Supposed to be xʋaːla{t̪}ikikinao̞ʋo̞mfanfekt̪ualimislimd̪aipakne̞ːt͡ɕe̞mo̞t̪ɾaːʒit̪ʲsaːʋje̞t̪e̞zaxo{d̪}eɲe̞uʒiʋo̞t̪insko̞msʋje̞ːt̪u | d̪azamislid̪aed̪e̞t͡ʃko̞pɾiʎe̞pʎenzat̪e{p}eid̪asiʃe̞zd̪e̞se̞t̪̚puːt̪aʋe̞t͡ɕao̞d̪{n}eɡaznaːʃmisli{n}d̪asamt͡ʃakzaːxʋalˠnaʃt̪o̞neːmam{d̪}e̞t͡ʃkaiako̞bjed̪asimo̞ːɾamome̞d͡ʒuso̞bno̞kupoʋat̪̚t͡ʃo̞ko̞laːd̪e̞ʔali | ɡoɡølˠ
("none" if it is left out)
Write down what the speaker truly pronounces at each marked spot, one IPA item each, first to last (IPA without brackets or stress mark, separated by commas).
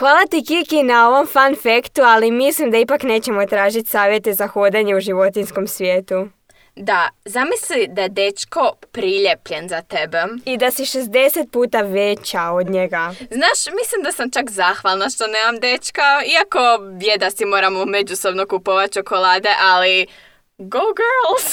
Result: t̪, d̪, b, ɲ, m, d̪